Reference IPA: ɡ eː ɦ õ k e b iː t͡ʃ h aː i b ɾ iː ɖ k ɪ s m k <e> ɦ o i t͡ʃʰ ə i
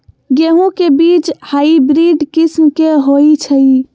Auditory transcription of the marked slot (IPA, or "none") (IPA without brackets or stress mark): e